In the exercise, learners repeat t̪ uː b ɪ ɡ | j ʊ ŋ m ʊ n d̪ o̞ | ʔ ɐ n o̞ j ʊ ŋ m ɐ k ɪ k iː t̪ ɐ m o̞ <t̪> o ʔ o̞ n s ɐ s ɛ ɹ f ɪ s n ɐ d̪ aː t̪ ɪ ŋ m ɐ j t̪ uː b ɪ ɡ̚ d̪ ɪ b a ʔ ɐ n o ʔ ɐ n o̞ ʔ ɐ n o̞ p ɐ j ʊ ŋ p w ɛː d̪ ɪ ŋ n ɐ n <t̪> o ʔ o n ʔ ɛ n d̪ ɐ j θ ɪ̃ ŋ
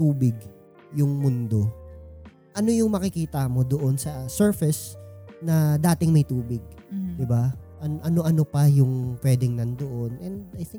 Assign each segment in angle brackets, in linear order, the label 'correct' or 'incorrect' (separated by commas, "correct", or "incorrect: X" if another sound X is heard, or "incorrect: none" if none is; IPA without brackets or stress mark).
incorrect: d̪, incorrect: d̪